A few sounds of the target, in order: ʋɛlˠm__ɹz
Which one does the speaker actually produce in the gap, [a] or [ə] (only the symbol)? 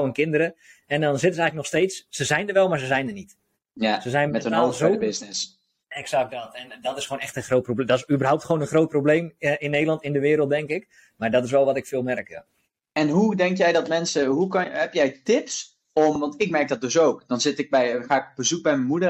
a